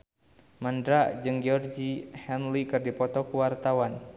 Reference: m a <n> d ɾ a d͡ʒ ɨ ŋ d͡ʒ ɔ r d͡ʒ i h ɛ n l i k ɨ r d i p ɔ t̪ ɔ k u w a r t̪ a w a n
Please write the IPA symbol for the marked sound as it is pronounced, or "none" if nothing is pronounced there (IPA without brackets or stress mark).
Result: n